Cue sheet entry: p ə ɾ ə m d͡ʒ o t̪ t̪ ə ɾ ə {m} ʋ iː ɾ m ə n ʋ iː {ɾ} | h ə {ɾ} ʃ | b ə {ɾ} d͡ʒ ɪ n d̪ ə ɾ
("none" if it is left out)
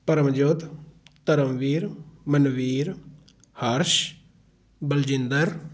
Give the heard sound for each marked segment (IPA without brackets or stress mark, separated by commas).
m, ɾ, ɾ, l